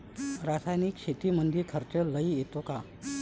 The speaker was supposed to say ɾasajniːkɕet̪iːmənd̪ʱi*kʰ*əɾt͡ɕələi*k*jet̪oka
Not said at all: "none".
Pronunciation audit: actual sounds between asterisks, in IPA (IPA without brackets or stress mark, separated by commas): kʰ, none